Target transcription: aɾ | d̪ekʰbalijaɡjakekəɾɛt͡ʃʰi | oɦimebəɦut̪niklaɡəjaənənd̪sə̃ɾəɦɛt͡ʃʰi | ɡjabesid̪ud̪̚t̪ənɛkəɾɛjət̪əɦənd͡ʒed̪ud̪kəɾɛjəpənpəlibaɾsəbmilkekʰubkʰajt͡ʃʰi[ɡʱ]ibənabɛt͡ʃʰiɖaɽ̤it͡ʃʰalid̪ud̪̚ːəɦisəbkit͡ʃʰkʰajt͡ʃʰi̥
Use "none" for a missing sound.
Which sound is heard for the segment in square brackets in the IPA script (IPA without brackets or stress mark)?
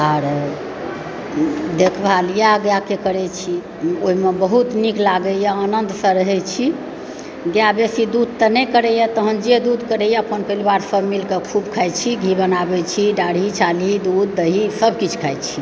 ɡʱ